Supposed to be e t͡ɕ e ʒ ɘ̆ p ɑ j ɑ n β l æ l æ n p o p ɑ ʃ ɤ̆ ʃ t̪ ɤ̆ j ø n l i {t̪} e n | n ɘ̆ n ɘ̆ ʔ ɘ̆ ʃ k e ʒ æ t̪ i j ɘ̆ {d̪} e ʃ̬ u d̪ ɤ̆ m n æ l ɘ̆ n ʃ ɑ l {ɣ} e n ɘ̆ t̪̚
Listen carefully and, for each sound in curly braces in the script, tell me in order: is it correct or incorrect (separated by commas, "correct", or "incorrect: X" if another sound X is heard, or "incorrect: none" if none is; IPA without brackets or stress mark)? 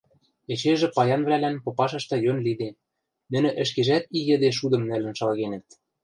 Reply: incorrect: d̪, correct, correct